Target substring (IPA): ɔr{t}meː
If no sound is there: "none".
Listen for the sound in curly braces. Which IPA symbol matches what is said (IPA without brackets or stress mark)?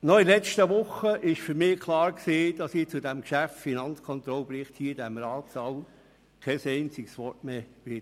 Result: t